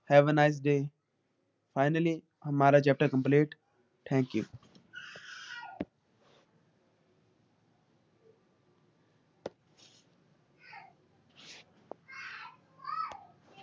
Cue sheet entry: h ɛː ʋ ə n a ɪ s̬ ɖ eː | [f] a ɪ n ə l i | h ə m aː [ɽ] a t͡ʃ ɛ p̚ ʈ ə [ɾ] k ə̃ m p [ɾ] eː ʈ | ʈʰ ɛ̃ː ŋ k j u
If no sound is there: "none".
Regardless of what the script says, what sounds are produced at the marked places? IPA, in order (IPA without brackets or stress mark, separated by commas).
f, ɾ, ɾ, l